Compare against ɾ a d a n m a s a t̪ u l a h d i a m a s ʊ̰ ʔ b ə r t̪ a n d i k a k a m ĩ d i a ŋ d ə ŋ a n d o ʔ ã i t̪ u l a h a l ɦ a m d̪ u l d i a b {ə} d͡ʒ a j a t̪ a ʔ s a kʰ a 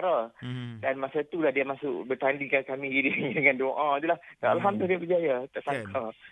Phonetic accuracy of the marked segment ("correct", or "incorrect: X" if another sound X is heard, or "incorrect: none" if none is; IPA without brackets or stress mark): correct